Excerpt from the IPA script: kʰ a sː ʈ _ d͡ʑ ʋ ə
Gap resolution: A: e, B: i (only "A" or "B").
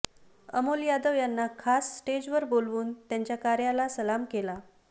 A